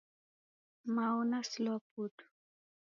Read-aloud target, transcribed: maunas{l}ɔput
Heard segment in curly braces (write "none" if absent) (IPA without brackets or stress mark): l